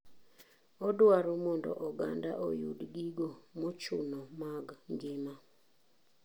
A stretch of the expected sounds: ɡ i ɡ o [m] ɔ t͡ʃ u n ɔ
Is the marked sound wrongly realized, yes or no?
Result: no